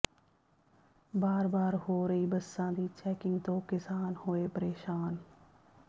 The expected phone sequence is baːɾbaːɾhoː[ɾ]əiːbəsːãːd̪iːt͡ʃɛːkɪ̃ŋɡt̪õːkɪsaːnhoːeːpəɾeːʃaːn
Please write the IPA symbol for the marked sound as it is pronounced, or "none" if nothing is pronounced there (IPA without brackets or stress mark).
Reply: ɾ